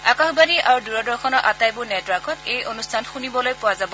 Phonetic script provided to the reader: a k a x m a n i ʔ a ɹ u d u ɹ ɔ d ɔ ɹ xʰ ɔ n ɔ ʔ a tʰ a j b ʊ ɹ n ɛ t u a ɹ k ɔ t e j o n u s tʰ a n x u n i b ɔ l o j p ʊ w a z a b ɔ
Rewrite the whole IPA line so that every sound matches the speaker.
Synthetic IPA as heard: a k a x b a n i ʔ a ɹ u d u ɹ ɔ d ɔ ɹ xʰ ɔ n ɔ ʔ a t a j b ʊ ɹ n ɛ t w a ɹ k ɔ t e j o n u s tʰ a n x u n i b ɔ l o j p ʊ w a z a b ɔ